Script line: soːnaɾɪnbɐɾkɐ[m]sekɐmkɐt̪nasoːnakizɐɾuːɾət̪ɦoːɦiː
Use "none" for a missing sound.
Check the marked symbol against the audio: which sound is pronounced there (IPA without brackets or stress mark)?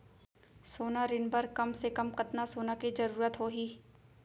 m